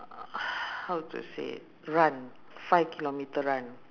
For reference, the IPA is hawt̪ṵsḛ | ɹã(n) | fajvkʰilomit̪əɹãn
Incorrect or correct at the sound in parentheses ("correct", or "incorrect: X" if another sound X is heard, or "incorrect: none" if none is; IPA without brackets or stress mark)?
correct